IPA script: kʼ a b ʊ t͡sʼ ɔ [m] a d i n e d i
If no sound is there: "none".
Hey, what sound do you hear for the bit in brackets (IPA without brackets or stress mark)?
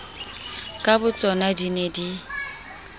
n